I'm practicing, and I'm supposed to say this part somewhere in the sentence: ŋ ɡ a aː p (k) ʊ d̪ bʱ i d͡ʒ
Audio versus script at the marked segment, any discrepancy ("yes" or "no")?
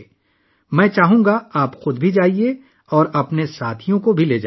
yes